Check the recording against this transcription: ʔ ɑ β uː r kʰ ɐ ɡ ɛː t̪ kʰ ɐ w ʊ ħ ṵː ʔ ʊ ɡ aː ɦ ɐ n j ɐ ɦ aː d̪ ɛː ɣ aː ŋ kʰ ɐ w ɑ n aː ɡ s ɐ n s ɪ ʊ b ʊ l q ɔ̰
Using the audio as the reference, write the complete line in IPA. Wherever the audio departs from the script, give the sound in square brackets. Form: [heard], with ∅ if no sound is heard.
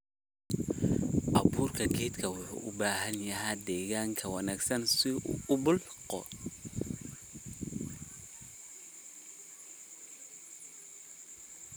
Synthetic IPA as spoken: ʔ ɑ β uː r kʰ ɐ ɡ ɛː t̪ kʰ ɐ w ʊ ħ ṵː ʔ ʊ [b] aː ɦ ɐ n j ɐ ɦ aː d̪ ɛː ɣ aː ŋ kʰ ɐ w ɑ n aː ɡ s ɐ n s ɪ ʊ b ʊ l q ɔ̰